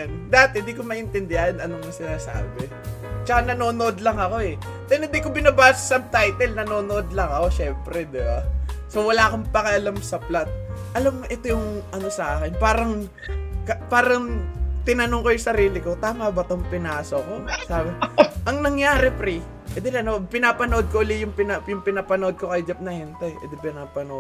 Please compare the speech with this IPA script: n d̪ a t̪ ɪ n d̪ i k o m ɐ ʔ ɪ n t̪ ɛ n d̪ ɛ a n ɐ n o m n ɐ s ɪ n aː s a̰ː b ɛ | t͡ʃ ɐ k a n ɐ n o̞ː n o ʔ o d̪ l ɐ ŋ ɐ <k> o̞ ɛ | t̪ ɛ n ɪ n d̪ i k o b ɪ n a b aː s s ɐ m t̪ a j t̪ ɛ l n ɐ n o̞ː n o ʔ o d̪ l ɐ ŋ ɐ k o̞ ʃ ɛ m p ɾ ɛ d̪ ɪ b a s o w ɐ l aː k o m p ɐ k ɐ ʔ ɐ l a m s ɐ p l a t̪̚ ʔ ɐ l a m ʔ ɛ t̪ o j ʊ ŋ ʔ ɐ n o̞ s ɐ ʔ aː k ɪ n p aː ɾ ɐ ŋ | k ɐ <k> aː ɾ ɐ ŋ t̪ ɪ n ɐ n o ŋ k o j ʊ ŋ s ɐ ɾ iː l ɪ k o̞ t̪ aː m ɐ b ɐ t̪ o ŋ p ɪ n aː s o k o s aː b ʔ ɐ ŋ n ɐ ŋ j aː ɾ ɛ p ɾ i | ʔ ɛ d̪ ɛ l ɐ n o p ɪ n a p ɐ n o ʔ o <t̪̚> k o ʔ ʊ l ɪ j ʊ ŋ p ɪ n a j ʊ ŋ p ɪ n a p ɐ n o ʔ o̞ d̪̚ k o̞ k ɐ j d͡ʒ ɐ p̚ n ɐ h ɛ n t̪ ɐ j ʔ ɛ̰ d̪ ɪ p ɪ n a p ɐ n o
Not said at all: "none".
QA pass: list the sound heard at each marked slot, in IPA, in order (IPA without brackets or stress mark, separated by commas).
k, p, d̪̚